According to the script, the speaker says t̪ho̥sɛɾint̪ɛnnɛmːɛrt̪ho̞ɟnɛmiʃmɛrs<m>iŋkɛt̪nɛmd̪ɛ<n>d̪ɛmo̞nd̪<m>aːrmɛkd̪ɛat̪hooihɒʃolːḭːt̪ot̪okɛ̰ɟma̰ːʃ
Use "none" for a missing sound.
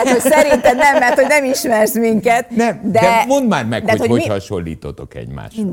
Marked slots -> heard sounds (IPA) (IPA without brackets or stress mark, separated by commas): m, none, m